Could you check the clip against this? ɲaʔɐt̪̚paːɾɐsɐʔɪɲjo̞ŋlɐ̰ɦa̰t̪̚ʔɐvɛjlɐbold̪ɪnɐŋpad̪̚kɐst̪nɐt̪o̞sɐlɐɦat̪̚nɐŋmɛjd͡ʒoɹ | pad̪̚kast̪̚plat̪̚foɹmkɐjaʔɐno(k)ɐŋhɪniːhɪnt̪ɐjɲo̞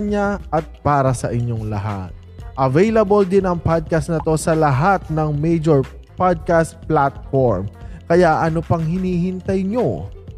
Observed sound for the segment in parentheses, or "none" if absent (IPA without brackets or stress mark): p